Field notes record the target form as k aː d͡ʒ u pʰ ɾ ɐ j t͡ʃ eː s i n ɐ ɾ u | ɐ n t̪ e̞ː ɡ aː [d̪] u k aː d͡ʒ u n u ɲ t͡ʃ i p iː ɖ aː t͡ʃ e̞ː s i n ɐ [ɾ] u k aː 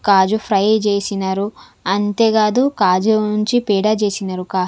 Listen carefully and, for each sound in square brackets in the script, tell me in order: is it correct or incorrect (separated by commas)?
correct, correct